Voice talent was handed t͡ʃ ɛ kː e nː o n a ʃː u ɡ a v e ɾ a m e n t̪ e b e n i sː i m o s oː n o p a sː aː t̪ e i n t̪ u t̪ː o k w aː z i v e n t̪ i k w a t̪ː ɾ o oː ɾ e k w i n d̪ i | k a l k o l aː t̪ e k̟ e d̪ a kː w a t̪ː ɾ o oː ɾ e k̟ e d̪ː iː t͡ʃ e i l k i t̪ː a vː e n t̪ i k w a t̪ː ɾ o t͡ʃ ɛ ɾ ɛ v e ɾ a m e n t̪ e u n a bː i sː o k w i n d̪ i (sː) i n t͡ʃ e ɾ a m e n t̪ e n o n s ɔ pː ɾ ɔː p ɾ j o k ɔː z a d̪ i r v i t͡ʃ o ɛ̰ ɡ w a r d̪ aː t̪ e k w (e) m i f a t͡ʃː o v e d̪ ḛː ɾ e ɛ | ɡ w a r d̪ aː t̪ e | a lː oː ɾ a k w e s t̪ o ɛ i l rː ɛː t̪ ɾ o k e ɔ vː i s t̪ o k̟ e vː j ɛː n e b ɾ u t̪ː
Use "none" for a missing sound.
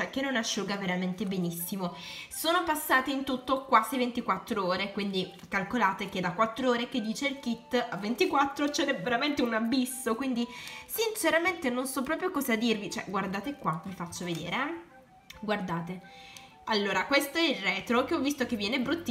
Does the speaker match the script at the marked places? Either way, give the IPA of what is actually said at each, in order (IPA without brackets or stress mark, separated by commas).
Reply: s, a